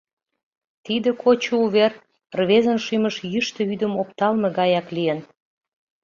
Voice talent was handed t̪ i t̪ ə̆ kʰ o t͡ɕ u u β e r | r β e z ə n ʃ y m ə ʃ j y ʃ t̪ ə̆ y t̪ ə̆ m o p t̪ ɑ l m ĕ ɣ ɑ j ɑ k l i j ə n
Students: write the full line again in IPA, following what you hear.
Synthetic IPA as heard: t̪ i d̪ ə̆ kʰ o t͡ɕ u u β e r | r β e z ə n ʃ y m ə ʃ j y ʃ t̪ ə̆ y d̪ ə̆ m o p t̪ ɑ l m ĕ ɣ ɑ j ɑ k l i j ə n